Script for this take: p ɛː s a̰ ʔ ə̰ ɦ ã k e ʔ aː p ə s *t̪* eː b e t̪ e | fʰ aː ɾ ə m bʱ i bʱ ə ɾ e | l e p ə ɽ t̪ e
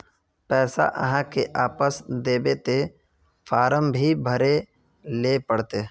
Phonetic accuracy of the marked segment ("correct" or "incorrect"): incorrect